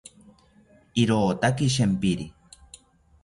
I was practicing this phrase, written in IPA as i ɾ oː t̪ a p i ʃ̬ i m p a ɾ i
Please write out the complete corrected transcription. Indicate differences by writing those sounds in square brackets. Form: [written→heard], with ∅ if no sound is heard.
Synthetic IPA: i ɾ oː t̪ a [p→k] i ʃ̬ [i→e] m p [a→i] ɾ i